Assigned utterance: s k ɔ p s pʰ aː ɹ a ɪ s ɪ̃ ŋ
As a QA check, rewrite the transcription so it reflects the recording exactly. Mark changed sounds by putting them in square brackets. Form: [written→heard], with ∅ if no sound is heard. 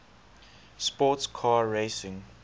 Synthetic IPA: s [k→p] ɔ [p→t] s [pʰ→kʰ] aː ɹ [a→e] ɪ s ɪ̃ ŋ